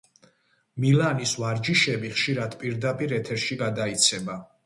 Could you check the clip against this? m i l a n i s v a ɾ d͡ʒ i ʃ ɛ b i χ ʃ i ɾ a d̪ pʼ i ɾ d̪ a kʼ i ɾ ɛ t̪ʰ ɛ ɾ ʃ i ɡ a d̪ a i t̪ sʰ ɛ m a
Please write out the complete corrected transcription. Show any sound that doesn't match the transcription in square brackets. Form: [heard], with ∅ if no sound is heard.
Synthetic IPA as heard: m i l a n i s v a ɾ d͡ʒ i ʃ ɛ b i χ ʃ i ɾ a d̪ pʼ i ɾ d̪ a [pʼ] i ɾ ɛ t̪ʰ ɛ ɾ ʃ i ɡ a d̪ a i t̪ sʰ ɛ [b] a

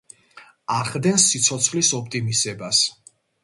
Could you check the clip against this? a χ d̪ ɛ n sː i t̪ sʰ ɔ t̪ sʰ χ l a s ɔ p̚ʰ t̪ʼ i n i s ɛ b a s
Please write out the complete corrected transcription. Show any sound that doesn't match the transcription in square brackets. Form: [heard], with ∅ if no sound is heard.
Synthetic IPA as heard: a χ d̪ ɛ n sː i t̪ sʰ ɔ t̪ sʰ χ l [i] s ɔ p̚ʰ t̪ʼ i [m] i s ɛ b a s

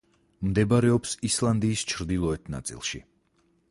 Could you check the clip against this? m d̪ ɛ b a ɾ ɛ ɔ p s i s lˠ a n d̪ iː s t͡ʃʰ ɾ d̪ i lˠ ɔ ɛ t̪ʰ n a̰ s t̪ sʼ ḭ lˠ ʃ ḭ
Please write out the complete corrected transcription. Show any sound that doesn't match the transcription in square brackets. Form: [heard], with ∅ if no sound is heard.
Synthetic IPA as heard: m d̪ ɛ b a ɾ ɛ ɔ p s i s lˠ a n d̪ iː s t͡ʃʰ ɾ d̪ i lˠ ɔ ɛ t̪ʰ n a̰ [∅] t̪ sʼ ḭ lˠ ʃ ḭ

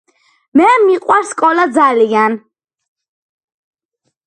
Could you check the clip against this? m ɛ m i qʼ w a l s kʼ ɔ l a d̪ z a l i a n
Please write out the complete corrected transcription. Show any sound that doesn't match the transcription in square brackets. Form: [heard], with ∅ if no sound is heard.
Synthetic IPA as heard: m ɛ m i qʼ w a [ɾ] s kʼ ɔ l a d̪ z a l i a n

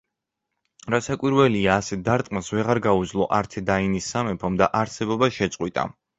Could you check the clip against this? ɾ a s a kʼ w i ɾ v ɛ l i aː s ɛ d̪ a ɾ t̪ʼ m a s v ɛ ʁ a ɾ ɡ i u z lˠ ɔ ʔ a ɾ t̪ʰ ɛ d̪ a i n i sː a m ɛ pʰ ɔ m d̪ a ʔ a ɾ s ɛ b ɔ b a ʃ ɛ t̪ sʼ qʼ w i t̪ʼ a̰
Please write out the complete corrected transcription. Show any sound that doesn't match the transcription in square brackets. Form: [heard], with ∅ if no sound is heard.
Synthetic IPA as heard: ɾ a s a kʼ w i ɾ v ɛ l i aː s ɛ d̪ a ɾ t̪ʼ m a s v ɛ ʁ a ɾ ɡ [a] u z lˠ ɔ ʔ a ɾ t̪ʰ ɛ d̪ a i n i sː a m ɛ pʰ ɔ m d̪ a ʔ a ɾ s ɛ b ɔ b a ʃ ɛ t̪ sʼ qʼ w i t̪ʼ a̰

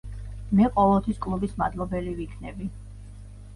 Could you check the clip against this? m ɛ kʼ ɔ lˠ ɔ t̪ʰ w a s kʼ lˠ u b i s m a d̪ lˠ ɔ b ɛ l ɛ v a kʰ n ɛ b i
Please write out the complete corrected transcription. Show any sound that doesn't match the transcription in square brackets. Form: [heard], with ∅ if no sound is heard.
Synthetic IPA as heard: m ɛ [qʼ] ɔ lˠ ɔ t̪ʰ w [i] s kʼ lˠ u b i s m a d̪ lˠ ɔ b ɛ l [i] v [i] kʰ n ɛ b i

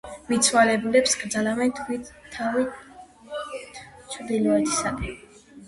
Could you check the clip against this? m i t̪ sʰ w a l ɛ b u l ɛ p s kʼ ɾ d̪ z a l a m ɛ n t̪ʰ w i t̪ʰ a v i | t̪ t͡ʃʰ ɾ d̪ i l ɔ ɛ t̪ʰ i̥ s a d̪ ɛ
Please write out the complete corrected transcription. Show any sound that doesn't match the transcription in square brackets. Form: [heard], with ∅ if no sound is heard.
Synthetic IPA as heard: m i t̪ sʰ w a l ɛ b u l ɛ p s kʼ ɾ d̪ z a l a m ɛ n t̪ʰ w i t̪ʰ a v i | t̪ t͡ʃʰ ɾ d̪ i l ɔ ɛ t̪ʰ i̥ s a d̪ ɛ

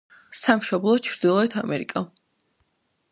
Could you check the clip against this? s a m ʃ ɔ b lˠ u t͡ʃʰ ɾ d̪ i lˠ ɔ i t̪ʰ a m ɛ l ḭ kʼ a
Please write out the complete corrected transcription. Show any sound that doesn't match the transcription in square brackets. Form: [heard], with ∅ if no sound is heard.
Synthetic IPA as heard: s a m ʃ ɔ b lˠ [ɔ] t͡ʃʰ ɾ d̪ i lˠ ɔ [ɛ] t̪ʰ a m ɛ [ɾ] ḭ kʼ a

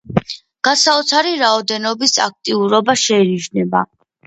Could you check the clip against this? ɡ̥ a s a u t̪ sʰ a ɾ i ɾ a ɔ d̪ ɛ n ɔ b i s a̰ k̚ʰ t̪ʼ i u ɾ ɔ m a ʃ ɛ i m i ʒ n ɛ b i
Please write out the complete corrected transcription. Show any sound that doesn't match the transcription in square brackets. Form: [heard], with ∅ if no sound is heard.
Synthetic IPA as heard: ɡ̥ a s a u t̪ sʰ a ɾ i ɾ a ɔ d̪ ɛ n ɔ b i s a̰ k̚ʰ t̪ʼ i u ɾ ɔ [b] a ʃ ɛ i [n] i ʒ n ɛ b [a]

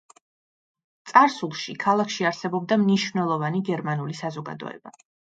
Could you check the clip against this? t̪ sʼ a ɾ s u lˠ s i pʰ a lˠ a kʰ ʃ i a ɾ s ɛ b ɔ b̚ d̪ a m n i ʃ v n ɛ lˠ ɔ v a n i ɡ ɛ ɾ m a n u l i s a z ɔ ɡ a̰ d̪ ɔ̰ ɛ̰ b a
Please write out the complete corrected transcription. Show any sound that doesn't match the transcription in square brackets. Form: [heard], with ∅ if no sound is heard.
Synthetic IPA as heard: t̪ sʼ a ɾ s u lˠ [ʃ] i [kʰ] a lˠ a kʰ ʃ i a ɾ s ɛ b ɔ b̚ d̪ a m n i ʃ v n ɛ lˠ ɔ v a n i ɡ ɛ ɾ m a n u l i s a z ɔ ɡ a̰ d̪ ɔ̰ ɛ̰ b a

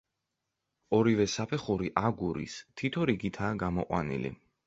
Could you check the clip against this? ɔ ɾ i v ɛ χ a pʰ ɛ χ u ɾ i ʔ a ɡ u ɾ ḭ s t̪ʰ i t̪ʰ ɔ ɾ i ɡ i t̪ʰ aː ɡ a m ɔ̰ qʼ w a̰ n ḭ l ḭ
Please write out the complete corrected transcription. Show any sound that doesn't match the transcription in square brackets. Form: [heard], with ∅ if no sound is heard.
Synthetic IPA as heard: ɔ ɾ i v ɛ [s] a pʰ ɛ χ u ɾ i ʔ a ɡ u ɾ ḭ s t̪ʰ i t̪ʰ ɔ ɾ i ɡ i t̪ʰ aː ɡ a m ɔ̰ qʼ w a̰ n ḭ l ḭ

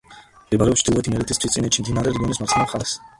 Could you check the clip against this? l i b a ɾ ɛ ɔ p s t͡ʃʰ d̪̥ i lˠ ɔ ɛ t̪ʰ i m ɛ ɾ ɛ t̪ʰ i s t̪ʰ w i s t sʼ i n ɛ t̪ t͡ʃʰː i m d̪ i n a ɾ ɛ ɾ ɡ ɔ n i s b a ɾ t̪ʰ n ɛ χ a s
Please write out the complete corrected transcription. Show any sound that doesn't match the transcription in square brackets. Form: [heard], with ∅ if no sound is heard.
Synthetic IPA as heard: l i b a ɾ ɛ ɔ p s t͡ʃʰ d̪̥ i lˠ ɔ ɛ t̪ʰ i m ɛ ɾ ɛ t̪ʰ i s t̪ʰ w i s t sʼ i n ɛ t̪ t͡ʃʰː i m d̪ i n a ɾ ɛ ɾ ɡ ɔ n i s [m] a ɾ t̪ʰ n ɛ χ a s

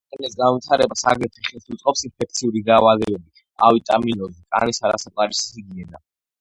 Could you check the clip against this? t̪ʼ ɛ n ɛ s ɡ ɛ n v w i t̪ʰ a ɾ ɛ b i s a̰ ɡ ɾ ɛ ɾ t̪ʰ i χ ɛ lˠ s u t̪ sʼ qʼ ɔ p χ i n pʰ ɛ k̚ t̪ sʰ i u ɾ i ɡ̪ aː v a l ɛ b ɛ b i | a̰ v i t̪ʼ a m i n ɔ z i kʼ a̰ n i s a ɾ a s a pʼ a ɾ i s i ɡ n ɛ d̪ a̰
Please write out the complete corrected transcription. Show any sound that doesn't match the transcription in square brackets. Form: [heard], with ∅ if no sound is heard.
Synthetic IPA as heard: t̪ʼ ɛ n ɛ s ɡ [a] n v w i t̪ʰ a ɾ ɛ b [a] s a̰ ɡ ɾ ɛ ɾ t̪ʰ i χ ɛ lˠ s u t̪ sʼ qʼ ɔ p [s] i n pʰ ɛ k̚ t̪ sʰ i u ɾ i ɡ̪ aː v a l ɛ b ɛ b i | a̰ v i t̪ʼ a m i n ɔ z i kʼ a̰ n i s a ɾ a s a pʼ a ɾ i s i ɡ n ɛ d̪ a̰

